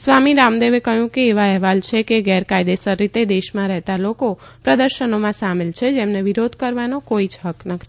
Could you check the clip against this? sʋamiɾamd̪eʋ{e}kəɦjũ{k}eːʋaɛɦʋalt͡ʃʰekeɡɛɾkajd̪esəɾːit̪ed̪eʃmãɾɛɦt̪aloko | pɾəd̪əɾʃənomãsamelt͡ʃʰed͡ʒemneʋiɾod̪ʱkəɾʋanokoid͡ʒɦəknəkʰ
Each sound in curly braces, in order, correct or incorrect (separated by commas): correct, correct